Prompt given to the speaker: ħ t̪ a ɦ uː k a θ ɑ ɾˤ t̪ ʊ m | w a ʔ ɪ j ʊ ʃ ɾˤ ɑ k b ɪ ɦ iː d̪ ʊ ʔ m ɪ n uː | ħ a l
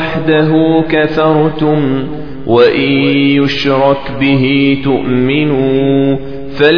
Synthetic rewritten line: ħ d̪ a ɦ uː k a θ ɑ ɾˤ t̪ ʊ m | w a ʔ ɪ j ʊ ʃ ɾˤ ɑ k b ɪ ɦ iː t̪ ʊ ʔ m ɪ n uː | f a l